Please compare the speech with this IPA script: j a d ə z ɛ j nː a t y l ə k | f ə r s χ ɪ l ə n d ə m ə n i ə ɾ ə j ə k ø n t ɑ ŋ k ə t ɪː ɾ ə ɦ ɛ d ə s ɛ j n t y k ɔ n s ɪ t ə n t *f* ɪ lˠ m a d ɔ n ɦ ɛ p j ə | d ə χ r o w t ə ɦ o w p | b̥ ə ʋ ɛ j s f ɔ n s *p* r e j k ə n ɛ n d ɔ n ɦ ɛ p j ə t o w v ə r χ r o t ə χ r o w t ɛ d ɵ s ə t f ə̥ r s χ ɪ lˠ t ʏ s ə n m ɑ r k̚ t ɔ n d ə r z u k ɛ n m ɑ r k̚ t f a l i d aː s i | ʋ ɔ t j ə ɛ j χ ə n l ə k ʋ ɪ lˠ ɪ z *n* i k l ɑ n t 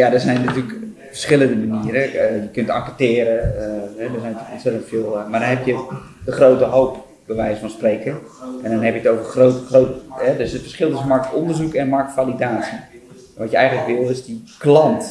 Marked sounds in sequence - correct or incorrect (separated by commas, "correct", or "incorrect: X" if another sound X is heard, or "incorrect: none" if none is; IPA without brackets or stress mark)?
correct, correct, incorrect: d